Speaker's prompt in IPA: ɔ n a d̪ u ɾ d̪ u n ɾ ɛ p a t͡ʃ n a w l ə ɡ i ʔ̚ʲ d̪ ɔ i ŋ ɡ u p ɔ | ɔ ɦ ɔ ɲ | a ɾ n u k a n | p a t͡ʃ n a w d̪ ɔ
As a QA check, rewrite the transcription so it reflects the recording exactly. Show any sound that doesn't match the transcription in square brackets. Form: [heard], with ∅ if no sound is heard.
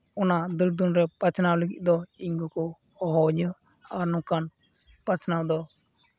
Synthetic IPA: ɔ n a d̪ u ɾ d̪ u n ɾ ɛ p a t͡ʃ n a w l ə ɡ i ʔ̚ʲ d̪ ɔ i ŋ ɡ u [k] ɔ | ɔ ɦ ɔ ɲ | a ɾ n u k a n | p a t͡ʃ n a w d̪ ɔ